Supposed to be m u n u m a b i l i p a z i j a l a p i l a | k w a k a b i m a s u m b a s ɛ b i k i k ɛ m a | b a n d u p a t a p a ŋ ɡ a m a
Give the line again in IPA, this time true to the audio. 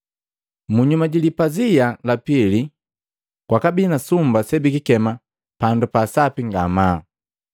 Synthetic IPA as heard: m u ɲ u m a ɟ i l i p a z i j a l a p i l i | k w a k a b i n a s u m b a s ɛ b i k i k ɛ m a | p a n d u p a s a p i ŋ ɡ a m a